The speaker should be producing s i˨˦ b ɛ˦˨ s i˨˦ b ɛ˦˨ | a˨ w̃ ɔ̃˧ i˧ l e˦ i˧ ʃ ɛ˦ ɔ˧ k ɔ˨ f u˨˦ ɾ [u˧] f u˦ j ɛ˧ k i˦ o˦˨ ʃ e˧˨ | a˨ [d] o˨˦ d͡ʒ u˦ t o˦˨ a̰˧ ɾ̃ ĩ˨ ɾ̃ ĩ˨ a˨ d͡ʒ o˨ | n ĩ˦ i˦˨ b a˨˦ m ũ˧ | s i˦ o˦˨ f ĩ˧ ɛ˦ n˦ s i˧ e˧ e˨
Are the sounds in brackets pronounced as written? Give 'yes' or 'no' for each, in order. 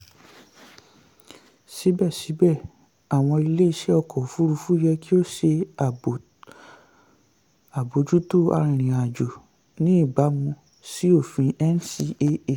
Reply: yes, no

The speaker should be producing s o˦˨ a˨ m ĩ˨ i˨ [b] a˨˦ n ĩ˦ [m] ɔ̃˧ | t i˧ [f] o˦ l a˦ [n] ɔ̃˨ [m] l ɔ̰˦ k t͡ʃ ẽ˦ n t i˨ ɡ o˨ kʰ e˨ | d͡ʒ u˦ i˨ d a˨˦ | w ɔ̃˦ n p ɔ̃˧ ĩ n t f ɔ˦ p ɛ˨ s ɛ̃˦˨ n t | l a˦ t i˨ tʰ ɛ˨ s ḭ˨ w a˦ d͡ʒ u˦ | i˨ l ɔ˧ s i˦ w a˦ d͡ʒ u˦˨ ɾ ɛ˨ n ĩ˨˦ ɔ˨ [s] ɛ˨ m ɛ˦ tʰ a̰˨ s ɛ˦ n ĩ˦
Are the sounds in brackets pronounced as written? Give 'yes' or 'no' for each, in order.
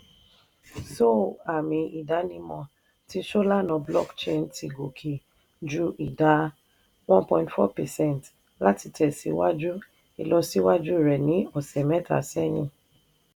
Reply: no, yes, no, yes, no, yes

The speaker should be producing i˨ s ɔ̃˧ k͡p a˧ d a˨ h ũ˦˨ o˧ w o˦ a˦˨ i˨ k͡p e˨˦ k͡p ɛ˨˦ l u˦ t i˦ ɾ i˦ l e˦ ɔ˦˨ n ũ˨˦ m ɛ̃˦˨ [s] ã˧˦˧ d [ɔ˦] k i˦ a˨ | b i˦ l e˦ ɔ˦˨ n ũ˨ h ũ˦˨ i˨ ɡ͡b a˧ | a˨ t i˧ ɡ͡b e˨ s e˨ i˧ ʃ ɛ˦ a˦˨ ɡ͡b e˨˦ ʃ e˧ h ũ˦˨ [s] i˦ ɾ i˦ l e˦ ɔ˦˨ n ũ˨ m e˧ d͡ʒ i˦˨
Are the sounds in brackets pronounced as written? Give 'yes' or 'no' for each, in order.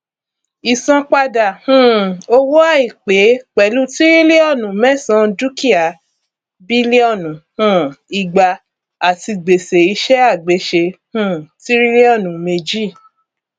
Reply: yes, no, no

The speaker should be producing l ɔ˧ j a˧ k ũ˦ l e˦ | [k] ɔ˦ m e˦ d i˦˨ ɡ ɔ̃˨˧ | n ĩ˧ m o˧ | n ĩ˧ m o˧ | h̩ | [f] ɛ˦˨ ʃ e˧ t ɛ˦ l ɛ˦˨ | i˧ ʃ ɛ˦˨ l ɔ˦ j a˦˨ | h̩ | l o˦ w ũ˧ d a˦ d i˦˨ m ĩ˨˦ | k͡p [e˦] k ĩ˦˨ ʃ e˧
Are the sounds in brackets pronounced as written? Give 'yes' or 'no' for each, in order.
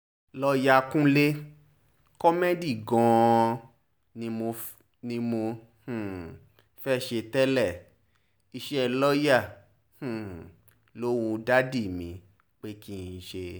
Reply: yes, yes, yes

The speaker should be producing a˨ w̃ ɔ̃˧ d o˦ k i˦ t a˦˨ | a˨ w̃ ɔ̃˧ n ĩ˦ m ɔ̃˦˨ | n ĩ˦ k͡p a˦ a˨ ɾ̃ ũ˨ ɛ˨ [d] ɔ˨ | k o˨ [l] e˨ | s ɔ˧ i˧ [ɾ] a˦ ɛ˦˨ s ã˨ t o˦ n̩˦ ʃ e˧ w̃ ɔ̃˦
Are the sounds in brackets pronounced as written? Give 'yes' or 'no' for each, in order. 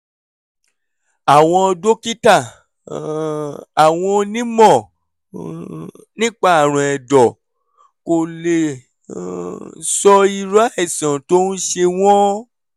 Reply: yes, yes, yes

